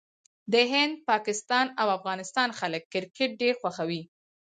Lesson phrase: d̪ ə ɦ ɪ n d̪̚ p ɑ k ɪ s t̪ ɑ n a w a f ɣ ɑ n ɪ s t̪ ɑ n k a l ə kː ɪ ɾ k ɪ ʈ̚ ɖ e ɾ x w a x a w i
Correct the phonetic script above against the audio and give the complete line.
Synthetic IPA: d̪ ə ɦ ɪ n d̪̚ p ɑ k ɪ s t̪ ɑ n a w a f ɣ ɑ n ɪ s t̪ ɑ n x a l ə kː ɪ ɾ k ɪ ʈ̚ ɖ e ɾ x w a x a w i